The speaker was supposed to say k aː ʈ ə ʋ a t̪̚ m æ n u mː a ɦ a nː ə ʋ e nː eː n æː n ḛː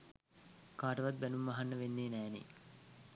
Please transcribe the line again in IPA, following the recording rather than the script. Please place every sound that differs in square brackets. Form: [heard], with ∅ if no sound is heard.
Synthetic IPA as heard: k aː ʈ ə ʋ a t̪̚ [b] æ n u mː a ɦ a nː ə ʋ e nː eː n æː n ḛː